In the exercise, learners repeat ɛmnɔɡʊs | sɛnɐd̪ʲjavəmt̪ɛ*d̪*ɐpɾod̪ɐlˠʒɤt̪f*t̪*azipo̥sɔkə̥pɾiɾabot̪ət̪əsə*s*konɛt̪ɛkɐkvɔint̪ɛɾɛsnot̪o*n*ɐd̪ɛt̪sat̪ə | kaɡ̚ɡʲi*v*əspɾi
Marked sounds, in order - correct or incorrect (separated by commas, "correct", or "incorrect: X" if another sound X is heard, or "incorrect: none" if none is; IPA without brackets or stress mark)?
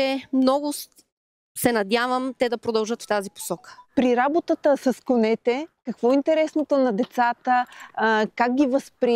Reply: correct, correct, correct, correct, correct